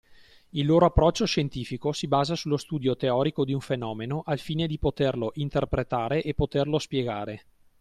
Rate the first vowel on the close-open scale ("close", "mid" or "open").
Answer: close